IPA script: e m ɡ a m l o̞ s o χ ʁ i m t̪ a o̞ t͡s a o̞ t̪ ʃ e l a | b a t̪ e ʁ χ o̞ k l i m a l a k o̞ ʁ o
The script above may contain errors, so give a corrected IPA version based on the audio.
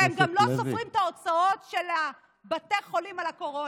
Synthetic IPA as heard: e m ɡ a m l o̞ s o f ʁ i m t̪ a o̞ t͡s a o̞ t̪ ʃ e l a | b a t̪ e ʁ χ o̞ l i m a l a k o̞ ʁ o